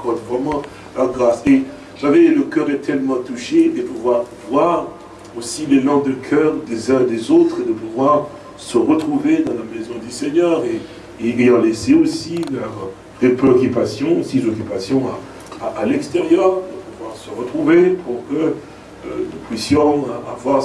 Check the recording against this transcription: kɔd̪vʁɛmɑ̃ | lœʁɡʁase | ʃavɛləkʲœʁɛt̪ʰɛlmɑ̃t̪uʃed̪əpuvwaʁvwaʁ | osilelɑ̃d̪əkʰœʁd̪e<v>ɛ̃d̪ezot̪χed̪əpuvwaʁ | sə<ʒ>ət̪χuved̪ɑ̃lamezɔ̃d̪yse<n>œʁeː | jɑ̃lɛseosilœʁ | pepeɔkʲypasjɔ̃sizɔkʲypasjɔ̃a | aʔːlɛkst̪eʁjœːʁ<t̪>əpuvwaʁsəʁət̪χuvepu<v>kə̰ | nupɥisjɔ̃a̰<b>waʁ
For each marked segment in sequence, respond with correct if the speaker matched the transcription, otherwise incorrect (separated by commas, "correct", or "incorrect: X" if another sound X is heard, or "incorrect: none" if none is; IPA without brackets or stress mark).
incorrect: z, incorrect: ʁ, incorrect: ɲ, incorrect: d̪, incorrect: ʁ, incorrect: v